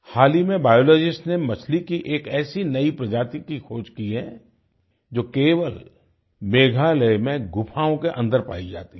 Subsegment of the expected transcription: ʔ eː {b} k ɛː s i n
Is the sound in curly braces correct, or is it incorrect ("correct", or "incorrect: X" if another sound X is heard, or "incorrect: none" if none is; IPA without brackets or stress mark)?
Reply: incorrect: none